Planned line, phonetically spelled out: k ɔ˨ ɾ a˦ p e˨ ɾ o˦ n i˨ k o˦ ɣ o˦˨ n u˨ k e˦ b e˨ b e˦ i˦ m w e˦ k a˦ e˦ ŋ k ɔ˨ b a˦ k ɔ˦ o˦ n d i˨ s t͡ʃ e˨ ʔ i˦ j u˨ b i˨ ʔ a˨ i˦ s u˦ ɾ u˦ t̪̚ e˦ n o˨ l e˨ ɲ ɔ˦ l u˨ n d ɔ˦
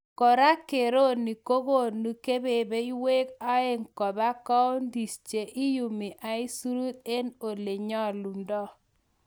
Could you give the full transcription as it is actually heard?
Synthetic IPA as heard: k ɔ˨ ɾ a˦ k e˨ ɾ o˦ n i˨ k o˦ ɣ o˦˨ n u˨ k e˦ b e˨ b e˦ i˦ w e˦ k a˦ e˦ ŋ k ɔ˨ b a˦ k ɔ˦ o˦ n d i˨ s t͡ʃ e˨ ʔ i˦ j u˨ m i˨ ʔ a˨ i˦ s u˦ ɾ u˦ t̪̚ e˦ n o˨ l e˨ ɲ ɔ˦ l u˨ n d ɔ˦